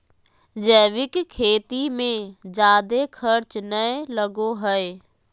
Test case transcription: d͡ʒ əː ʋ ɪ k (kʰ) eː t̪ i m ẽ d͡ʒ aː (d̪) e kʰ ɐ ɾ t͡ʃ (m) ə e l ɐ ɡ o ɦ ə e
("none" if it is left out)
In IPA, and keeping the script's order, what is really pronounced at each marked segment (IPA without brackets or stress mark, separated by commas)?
kʰ, d̪, n